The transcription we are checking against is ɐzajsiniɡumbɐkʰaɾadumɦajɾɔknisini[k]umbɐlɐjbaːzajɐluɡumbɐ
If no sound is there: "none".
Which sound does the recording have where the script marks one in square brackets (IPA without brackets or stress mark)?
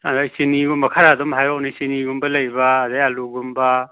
ɡ